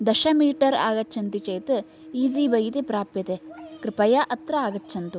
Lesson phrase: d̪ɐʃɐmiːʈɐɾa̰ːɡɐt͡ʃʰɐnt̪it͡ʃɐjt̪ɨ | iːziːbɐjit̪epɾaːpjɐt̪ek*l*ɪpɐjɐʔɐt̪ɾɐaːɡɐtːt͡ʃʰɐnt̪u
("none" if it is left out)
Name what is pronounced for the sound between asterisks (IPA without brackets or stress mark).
ɾ